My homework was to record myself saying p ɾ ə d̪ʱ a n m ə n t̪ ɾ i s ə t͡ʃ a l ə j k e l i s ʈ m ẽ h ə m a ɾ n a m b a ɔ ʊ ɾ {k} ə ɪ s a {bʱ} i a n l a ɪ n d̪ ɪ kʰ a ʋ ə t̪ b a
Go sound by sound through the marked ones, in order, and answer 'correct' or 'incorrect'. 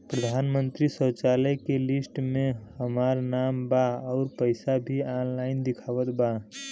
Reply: incorrect: p, correct

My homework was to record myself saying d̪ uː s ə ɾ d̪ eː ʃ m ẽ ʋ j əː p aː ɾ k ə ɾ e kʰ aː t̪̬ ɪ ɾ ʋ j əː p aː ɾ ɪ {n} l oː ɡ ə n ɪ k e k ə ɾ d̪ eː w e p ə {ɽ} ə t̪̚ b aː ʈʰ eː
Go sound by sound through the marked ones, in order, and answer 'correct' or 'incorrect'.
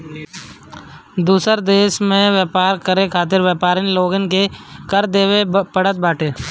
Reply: correct, correct

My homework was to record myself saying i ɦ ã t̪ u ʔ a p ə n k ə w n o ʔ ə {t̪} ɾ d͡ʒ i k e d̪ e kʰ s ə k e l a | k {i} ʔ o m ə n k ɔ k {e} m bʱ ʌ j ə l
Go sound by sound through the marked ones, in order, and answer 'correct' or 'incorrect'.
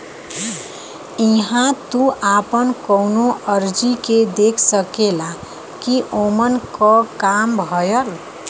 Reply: incorrect: none, correct, incorrect: a

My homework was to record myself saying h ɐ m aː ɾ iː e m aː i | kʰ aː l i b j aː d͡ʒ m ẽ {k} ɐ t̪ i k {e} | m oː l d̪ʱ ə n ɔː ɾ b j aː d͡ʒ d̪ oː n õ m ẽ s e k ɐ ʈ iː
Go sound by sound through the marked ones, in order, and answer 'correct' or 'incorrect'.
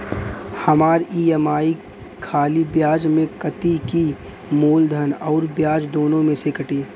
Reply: correct, incorrect: i

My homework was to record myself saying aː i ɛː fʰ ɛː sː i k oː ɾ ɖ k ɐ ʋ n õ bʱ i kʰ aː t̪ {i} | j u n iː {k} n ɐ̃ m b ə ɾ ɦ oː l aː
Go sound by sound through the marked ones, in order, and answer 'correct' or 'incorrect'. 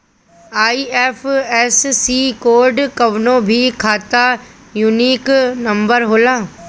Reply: incorrect: a, correct

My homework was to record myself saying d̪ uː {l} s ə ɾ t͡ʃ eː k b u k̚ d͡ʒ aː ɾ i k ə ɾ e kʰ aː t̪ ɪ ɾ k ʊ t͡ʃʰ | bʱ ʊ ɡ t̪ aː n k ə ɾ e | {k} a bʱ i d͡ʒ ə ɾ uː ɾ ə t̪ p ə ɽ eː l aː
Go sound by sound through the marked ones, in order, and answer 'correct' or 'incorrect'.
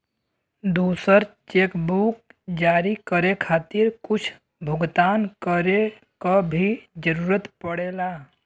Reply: incorrect: none, correct

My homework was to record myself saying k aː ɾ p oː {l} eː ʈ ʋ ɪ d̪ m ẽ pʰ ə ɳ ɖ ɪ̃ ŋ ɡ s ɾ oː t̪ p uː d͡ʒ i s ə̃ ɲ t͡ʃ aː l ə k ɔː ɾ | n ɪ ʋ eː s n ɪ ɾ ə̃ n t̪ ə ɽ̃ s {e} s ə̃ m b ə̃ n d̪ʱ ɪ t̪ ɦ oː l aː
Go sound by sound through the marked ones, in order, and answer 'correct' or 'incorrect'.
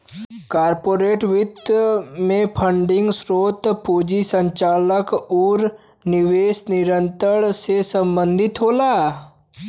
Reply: incorrect: ɾ, correct

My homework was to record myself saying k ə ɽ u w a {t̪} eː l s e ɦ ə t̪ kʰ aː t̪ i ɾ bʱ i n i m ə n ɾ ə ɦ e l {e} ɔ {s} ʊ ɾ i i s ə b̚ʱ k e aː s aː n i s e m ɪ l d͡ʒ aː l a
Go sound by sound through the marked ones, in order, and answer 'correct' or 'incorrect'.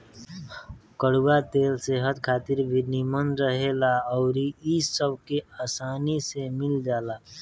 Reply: correct, incorrect: a, incorrect: none

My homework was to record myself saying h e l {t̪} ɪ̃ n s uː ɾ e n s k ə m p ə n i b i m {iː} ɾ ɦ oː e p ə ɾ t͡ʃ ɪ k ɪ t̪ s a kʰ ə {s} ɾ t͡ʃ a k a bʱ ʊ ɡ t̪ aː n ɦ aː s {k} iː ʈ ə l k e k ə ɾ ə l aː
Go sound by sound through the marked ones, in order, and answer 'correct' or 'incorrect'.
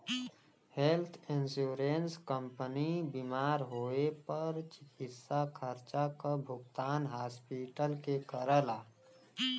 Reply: incorrect: t̪ʰ, incorrect: aː, incorrect: none, incorrect: p

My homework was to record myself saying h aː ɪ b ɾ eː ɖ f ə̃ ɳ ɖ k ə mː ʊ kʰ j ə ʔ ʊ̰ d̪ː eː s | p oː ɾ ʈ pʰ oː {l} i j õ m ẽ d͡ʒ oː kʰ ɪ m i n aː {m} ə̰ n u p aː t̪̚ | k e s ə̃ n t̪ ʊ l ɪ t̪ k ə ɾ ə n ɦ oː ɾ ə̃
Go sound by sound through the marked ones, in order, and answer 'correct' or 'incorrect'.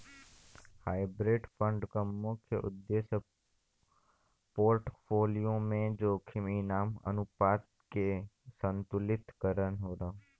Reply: correct, correct

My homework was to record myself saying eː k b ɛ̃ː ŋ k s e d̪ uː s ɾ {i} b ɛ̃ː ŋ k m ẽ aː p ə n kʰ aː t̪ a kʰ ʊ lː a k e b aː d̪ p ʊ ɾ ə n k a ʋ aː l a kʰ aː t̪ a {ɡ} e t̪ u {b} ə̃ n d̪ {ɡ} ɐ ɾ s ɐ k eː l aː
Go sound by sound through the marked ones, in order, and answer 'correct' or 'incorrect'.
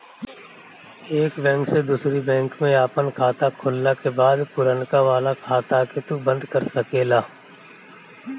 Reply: correct, incorrect: k, correct, incorrect: k

